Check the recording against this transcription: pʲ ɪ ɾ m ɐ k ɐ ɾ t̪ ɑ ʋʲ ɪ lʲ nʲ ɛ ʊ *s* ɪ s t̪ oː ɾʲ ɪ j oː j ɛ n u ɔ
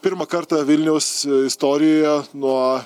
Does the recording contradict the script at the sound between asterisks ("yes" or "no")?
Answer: no